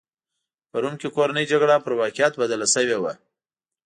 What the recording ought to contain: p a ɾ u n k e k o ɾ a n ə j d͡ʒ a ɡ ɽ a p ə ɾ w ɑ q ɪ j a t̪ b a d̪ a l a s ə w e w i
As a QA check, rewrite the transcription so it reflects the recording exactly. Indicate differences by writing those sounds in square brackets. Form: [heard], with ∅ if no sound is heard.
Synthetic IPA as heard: p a ɾ u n k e k o ɾ a n ə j d͡ʒ a ɡ ɽ a p ə ɾ w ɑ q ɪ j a t̪ b a d̪ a l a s ə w e w [a]